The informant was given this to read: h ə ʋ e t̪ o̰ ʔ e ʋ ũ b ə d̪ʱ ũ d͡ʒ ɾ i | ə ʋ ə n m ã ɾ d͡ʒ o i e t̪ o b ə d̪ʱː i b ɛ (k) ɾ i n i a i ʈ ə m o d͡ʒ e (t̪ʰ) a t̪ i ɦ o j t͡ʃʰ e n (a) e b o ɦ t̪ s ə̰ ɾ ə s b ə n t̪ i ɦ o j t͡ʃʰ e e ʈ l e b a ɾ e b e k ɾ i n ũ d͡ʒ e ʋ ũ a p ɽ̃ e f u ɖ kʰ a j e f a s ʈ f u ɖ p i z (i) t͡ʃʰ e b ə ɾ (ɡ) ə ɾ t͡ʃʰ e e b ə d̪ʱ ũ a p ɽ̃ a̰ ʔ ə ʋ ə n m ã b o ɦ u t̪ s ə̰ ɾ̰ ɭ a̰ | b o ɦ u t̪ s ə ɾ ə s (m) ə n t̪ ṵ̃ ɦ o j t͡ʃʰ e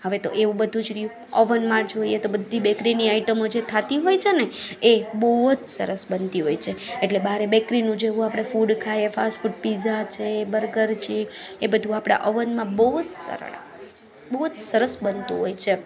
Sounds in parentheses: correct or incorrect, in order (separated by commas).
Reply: correct, correct, incorrect, incorrect, correct, incorrect